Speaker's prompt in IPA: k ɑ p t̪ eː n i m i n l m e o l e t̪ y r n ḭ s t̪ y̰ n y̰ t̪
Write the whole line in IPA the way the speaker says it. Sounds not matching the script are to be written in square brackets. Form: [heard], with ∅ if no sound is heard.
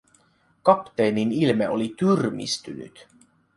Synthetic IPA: k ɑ p t̪ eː n i [n] i [∅] l m e o l [i] t̪ y r [m] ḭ s t̪ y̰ n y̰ t̪